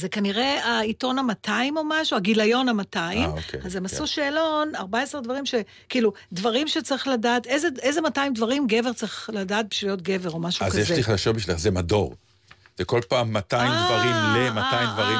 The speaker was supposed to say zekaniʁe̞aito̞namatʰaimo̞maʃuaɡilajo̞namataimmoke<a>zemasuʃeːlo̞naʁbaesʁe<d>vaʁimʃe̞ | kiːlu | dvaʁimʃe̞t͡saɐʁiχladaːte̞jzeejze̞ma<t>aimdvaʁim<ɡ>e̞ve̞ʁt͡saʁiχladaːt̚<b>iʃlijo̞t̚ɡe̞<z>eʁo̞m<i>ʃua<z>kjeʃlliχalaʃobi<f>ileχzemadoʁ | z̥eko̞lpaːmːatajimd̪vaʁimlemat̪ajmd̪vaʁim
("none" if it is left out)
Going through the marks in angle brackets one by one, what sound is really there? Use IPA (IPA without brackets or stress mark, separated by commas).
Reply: a, d, t, ɡ, b, v, a, z, ʃ